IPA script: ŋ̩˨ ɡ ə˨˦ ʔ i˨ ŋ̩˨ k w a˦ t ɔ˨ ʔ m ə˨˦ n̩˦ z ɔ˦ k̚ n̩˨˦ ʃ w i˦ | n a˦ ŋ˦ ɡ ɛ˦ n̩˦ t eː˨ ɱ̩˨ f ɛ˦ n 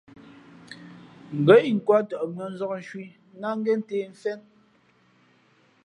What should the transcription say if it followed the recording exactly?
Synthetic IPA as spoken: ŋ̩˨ ɡ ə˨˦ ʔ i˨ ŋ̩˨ k w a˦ t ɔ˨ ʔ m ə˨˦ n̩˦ z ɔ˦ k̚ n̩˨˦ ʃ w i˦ | n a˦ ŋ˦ ɡ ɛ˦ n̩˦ t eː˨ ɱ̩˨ f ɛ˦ n